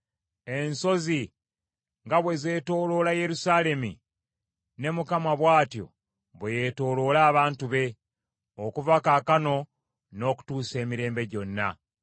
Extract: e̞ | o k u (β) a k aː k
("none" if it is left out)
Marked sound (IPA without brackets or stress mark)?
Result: v